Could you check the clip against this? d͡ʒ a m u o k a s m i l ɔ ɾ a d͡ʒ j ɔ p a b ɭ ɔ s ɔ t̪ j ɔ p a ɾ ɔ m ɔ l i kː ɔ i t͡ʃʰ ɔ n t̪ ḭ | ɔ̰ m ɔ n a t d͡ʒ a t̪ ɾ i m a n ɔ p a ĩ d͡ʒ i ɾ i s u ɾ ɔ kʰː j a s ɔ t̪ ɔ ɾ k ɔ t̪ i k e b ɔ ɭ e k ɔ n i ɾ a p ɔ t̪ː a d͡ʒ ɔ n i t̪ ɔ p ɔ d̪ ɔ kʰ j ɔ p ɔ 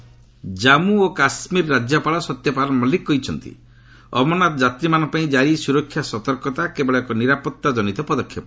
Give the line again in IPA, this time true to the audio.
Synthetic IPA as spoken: d͡ʒ a m u o k a s m i ɾ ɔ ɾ a d͡ʒ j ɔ p a ɭ ɔ s ɔ t̪ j ɔ p a ɾ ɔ m ɔ l i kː ɔ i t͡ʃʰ ɔ n t̪ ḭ | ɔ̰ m ɔ n a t d͡ʒ a t̪ ɾ i m a n ɔ p a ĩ d͡ʒ a ɾ i s u ɾ ɔ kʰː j a s ɔ t̪ ɔ ɾ k ɔ t̪ a k e b ɔ ɭ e k ɔ n i ɾ a p ɔ t̪ː a d͡ʒ ɔ n i t̪ ɔ p ɔ d̪ ɔ kʰ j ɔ p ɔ